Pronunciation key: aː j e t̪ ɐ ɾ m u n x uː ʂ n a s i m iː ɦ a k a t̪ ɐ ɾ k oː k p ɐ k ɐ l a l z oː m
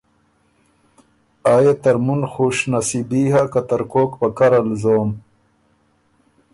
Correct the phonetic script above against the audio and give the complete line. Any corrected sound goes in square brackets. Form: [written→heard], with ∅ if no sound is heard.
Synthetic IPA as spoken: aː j e t̪ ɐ ɾ m u n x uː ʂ n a s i [m→b] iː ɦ a k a t̪ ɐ ɾ k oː k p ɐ k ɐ [l→ɾ] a l z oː m